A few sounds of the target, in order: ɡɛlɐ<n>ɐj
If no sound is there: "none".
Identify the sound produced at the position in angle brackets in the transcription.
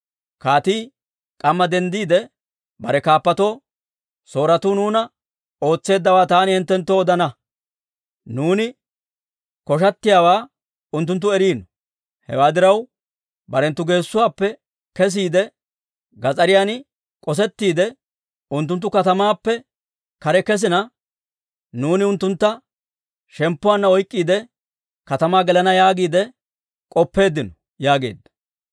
n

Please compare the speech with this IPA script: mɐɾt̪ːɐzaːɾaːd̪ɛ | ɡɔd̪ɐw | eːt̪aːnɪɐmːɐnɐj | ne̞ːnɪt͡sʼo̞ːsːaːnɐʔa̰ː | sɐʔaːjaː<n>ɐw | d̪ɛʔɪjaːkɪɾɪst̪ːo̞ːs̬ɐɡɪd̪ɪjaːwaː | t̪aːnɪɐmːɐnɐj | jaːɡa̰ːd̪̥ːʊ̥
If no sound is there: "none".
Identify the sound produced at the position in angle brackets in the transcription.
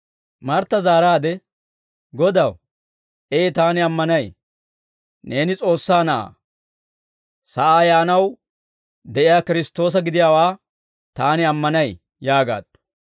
n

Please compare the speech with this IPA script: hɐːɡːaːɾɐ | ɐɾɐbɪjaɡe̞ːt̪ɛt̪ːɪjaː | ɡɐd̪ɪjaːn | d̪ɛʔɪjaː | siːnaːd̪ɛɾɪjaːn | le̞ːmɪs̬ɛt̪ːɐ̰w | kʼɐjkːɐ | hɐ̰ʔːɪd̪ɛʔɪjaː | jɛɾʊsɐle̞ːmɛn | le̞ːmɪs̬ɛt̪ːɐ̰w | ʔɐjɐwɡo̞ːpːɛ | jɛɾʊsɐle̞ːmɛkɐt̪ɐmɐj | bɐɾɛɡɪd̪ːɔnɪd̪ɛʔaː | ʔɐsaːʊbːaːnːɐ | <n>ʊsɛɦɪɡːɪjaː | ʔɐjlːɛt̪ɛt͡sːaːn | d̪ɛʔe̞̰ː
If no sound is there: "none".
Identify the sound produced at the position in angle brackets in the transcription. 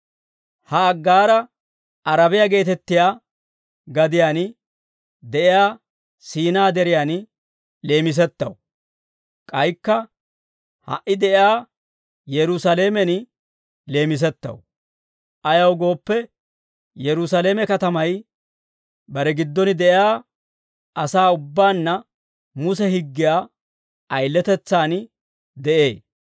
m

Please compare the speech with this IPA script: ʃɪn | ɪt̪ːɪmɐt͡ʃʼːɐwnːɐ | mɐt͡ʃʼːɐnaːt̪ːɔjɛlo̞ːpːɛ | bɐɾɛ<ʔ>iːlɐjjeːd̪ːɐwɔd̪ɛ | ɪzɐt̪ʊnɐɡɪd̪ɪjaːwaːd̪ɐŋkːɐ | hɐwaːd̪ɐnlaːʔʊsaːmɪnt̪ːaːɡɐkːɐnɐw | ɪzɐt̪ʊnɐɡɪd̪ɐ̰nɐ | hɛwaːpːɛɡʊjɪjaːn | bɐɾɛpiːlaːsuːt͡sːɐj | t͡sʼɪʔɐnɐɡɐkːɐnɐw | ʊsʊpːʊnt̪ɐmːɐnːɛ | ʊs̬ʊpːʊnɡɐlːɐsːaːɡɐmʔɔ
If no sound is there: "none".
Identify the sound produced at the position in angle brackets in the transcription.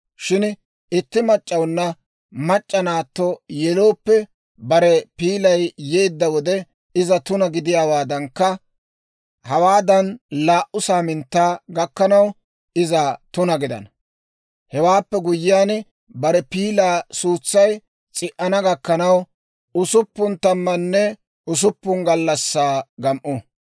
p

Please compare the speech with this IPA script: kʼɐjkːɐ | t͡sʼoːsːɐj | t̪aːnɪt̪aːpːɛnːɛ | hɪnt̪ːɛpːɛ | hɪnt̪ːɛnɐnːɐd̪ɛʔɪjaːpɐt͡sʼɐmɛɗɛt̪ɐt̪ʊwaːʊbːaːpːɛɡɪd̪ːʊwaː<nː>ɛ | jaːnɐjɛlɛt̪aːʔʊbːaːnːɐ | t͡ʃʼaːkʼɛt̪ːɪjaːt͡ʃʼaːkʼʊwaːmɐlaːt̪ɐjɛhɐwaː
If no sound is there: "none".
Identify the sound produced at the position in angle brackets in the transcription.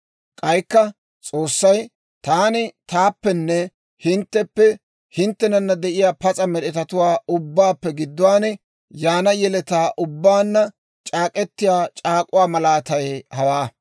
n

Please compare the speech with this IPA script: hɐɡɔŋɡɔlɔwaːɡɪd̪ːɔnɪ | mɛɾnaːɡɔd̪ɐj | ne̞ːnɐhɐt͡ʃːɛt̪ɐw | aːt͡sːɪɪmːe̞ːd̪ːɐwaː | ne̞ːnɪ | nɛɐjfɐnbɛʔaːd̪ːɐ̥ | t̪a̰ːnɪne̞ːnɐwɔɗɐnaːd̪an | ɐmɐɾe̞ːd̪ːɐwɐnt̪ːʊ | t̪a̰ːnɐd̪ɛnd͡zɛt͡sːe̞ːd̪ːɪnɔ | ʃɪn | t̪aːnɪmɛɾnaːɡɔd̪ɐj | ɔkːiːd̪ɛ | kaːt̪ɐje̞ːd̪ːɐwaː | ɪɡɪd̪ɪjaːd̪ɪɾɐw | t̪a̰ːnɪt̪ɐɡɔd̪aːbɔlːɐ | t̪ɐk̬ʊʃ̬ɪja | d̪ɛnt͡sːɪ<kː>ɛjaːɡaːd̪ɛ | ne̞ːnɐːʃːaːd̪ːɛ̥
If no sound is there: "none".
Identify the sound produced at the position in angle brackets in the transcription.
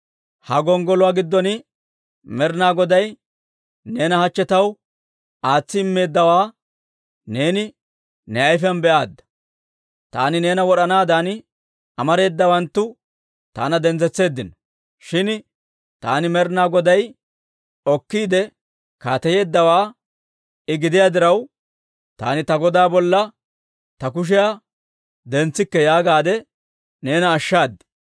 kː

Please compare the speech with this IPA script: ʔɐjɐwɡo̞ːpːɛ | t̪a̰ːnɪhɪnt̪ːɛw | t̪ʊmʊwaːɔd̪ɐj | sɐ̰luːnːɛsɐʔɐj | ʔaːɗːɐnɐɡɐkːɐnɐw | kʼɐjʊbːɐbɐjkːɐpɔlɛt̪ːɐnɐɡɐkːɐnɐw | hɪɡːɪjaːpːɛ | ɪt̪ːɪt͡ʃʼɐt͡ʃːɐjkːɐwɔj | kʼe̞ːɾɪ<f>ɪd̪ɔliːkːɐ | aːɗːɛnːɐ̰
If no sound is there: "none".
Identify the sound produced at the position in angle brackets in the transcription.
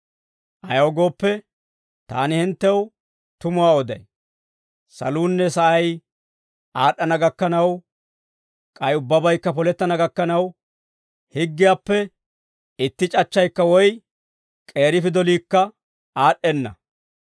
f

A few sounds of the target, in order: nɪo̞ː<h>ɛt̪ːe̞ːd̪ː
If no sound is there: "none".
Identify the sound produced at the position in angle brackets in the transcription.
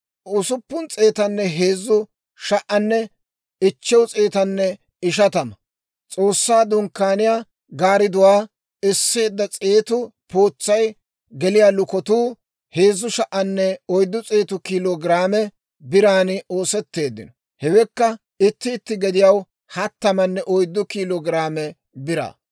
s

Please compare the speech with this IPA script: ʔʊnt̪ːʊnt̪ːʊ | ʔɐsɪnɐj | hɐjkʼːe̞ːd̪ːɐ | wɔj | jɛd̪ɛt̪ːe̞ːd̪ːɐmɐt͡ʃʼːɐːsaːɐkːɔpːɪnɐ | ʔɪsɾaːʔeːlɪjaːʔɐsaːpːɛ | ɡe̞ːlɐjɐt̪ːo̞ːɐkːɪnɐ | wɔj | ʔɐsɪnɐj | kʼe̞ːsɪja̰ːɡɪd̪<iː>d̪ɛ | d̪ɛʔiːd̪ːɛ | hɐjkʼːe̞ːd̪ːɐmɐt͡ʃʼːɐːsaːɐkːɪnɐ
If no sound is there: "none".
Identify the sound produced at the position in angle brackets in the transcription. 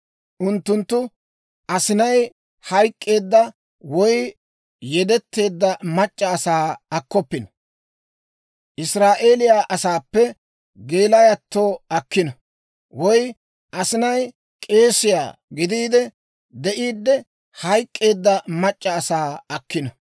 iː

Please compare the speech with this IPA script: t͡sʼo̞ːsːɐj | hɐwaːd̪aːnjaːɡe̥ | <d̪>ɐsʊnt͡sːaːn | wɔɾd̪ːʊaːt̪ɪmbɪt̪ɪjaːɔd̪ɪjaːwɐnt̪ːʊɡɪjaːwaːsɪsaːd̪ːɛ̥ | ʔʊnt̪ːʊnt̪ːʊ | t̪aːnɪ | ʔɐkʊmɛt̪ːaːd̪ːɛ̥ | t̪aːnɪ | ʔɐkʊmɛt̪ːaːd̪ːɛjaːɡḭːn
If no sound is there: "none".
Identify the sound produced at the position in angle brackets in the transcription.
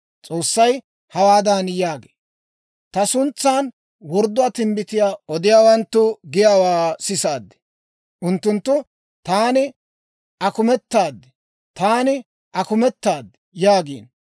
t̪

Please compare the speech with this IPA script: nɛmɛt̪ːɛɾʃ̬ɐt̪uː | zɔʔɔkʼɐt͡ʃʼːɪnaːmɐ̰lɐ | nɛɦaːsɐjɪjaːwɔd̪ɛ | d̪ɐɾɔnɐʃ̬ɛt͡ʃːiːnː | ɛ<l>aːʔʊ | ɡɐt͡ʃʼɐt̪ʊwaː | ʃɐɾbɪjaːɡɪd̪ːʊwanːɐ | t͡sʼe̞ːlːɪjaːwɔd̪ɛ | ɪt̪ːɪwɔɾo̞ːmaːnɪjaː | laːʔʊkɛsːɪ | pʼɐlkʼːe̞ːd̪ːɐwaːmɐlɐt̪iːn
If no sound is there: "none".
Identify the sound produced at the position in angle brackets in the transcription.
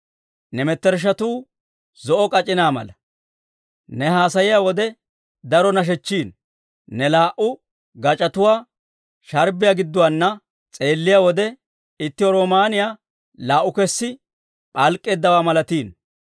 l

